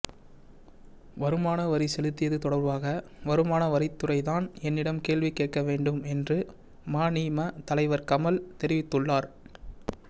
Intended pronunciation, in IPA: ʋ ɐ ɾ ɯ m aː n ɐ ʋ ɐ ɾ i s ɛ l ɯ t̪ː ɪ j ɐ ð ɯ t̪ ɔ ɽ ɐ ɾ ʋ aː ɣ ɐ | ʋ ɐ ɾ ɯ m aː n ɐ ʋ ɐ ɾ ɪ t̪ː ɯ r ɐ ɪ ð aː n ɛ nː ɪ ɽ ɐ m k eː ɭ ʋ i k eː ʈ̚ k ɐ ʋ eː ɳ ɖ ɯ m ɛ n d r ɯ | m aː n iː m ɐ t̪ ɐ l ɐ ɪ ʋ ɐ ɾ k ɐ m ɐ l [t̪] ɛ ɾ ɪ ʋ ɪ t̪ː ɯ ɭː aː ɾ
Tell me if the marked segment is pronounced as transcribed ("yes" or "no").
yes